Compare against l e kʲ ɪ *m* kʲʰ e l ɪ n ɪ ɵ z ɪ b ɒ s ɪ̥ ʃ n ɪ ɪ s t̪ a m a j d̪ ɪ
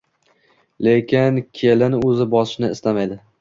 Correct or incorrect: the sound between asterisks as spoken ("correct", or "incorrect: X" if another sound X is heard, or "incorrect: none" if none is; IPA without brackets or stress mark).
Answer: incorrect: n